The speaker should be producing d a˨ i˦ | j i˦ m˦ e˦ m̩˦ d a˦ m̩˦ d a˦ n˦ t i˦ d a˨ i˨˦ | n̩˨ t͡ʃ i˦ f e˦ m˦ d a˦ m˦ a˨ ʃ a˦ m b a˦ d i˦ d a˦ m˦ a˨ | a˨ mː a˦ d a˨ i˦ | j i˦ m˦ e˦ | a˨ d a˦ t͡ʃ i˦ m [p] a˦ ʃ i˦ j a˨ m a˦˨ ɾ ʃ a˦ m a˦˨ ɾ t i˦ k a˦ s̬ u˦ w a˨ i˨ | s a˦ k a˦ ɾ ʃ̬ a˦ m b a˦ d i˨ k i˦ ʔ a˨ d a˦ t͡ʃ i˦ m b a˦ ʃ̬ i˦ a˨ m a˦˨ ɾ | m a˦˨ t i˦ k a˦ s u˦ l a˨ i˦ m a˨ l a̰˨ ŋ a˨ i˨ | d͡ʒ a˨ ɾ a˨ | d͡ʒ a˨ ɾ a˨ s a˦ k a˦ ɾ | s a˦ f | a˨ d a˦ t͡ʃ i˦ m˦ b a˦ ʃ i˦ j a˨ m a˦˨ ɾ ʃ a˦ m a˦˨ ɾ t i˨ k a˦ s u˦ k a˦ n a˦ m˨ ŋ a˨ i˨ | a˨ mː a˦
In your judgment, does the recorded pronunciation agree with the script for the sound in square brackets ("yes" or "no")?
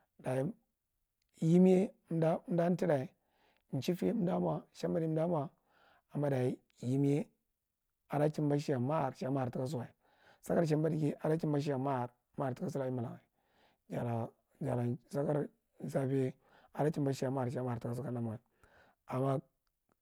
no